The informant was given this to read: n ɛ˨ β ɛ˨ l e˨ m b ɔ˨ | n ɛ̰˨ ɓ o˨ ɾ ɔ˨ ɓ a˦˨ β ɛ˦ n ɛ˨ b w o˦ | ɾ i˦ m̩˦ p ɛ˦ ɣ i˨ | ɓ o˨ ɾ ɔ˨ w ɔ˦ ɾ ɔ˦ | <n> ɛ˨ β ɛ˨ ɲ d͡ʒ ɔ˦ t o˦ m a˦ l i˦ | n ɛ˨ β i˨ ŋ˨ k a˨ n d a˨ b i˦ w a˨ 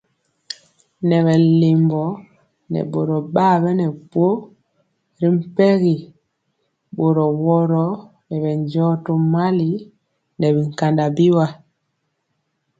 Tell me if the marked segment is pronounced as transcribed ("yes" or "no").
yes